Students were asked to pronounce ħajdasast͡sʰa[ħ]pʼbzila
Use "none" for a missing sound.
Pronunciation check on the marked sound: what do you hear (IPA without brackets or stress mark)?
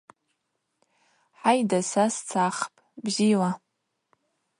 χ